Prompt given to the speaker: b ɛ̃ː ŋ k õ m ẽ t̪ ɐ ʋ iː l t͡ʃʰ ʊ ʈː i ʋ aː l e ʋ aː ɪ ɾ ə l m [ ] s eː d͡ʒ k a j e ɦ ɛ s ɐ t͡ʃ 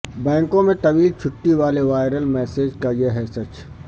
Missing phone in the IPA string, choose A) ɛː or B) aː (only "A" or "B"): A